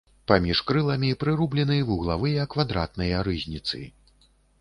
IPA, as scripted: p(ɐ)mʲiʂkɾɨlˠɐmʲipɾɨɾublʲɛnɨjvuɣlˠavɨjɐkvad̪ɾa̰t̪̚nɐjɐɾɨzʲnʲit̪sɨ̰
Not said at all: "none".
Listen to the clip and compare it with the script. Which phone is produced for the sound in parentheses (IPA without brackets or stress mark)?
a